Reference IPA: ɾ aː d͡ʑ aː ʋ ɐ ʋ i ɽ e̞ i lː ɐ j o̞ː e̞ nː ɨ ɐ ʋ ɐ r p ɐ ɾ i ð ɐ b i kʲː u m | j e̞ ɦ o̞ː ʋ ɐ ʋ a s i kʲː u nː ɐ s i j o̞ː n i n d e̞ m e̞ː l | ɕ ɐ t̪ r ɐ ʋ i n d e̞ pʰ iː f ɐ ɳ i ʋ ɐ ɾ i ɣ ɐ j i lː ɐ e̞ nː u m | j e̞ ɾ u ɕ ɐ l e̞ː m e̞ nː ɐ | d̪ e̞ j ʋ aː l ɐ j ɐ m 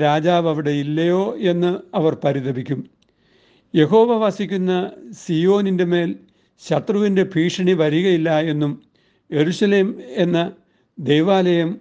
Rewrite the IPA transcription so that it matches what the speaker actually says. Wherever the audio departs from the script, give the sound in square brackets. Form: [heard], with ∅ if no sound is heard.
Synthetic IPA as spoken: ɾ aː d͡ʑ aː ʋ ɐ ʋ i ɽ e̞ i lː ɐ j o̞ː e̞ nː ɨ ɐ ʋ ɐ r p ɐ ɾ i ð ɐ b i kʲː u m | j e̞ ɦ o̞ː ʋ ɐ ʋ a s i kʲː u nː ɐ s i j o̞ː n i n d e̞ m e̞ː l | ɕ ɐ t̪ r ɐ ʋ i n d e̞ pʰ iː [ʂ] ɐ ɳ i ʋ ɐ ɾ i ɣ ɐ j i lː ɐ e̞ nː u m | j e̞ ɾ u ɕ ɐ l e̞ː m e̞ nː ɐ | d̪ e̞ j ʋ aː l ɐ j ɐ m